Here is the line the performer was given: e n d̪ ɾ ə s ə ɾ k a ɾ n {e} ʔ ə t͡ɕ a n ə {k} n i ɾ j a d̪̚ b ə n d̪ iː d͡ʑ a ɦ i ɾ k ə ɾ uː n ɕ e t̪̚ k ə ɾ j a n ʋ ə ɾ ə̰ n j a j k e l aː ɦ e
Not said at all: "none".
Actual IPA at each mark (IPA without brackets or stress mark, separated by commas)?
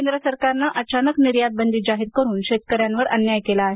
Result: a, k